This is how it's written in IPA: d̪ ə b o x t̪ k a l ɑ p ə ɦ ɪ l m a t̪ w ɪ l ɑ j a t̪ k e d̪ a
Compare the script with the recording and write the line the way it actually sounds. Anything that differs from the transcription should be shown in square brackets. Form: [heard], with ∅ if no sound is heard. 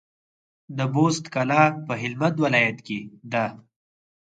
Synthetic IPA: d̪ ə b o [s] t̪ k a l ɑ p ə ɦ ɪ l m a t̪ w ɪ l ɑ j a t̪ k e d̪ a